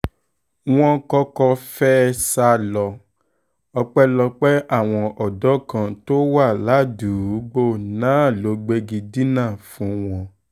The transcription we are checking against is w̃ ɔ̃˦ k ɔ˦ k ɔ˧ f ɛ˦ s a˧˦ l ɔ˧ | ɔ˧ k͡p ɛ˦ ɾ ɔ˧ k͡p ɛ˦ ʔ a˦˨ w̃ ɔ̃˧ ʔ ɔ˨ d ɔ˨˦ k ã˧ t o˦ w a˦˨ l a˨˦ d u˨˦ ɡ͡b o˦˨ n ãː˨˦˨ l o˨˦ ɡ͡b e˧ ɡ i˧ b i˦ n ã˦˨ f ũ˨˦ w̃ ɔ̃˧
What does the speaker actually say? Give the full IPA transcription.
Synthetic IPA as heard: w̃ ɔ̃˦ k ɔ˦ k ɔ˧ f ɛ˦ s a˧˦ l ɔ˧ | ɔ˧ k͡p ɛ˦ l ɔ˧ k͡p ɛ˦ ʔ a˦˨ w̃ ɔ̃˧ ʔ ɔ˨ d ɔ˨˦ k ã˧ t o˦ w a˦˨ l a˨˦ d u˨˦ ɡ͡b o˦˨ n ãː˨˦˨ l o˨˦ ɡ͡b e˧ ɡ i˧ d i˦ n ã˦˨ f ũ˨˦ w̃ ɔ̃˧